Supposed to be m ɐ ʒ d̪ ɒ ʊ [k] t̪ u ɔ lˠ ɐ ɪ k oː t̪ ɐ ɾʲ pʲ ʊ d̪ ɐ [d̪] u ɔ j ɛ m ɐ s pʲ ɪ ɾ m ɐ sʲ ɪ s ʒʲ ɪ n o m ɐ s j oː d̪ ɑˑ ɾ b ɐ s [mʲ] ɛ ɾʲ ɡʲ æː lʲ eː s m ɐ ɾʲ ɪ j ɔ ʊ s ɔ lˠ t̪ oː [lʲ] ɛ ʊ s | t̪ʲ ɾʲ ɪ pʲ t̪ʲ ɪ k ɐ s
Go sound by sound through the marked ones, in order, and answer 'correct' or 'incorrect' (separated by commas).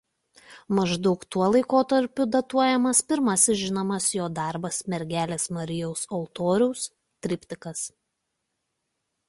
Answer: correct, incorrect, correct, incorrect